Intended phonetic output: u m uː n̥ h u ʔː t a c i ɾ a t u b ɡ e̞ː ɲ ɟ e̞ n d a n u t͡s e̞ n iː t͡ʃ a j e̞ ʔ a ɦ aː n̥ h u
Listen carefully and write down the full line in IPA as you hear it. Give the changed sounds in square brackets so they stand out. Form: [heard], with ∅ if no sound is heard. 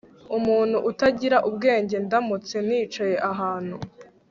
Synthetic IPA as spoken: u m uː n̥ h u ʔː t a [ɟ] i ɾ a [ʔ] u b ɡ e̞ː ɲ ɟ e̞ n d a [m] u t͡s e̞ n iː t͡ʃ a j e̞ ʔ a ɦ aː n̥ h u